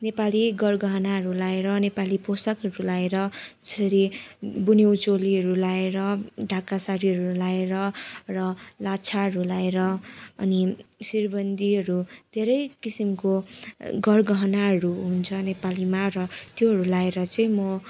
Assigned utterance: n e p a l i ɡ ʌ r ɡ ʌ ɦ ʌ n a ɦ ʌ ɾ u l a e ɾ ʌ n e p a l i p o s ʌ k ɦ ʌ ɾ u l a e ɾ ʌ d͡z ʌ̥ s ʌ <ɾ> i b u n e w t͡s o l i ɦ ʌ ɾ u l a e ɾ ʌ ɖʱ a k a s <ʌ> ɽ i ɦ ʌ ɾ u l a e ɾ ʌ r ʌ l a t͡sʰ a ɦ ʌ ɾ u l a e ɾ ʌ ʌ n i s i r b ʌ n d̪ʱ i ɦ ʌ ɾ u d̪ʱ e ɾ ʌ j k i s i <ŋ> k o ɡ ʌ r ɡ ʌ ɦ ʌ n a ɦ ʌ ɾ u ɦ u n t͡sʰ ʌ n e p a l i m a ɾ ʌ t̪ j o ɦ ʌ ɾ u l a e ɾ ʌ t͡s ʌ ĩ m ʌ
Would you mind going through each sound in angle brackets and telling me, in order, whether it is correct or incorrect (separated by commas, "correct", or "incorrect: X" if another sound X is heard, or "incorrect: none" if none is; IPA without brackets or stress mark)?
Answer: correct, incorrect: a, incorrect: m